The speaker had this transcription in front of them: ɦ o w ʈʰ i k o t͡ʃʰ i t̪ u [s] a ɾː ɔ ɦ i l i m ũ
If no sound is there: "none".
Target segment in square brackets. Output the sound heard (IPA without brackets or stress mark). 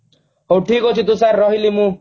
s